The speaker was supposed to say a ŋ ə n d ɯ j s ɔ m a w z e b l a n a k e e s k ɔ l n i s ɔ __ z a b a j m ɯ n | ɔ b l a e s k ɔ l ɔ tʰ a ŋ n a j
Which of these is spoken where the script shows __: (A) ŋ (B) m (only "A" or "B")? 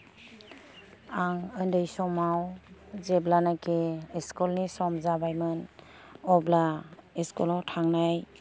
B